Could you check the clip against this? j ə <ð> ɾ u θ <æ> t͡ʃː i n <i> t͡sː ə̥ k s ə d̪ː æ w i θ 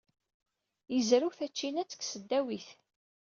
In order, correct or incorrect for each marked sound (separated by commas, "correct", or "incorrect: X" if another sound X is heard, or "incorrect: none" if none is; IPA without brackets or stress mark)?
incorrect: z, correct, incorrect: æ